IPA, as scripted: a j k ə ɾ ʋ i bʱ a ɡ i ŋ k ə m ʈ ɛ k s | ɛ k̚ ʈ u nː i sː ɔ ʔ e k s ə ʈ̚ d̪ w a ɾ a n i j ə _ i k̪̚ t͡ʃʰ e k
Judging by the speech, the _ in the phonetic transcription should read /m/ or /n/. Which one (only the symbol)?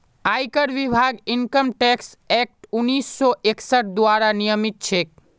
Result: m